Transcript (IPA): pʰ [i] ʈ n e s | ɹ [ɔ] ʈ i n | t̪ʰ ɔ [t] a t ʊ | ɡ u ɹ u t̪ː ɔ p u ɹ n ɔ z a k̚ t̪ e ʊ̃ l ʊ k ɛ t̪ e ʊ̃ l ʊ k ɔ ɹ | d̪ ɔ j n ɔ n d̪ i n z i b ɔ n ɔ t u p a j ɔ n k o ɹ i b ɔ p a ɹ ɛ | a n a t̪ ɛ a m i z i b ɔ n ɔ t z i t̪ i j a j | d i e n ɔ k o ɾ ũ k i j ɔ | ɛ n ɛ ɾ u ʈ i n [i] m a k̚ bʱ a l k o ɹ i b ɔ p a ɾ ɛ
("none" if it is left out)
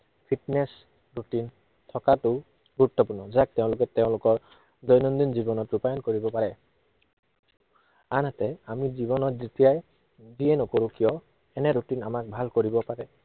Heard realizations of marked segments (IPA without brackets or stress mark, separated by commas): i, u, k, a